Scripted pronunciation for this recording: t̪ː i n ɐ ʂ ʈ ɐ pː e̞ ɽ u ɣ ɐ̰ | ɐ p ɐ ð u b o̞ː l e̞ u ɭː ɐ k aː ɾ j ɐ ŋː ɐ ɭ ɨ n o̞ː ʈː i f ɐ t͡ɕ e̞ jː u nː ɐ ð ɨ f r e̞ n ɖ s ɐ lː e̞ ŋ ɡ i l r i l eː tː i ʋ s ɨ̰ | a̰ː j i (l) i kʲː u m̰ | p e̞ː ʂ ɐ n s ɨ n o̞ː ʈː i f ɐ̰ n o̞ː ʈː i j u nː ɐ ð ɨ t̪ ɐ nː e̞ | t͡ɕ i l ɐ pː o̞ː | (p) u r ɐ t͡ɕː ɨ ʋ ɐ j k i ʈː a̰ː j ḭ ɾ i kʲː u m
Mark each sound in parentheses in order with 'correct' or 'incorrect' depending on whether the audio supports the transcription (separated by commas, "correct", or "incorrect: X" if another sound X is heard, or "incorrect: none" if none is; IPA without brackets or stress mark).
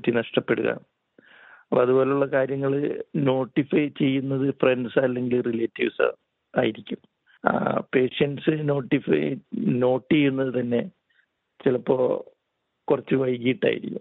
incorrect: ɾ, incorrect: k